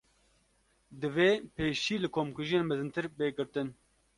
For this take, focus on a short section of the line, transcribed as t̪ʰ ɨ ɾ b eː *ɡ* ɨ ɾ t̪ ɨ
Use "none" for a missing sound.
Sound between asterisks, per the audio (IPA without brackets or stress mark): ɡ